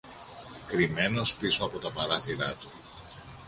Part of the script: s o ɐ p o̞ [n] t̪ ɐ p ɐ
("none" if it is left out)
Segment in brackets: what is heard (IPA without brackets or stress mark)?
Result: none